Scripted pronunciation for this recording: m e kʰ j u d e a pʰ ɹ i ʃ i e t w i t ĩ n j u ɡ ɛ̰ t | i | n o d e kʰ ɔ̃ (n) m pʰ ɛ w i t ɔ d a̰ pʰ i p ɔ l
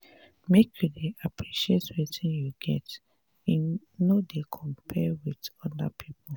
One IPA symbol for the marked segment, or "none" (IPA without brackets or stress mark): none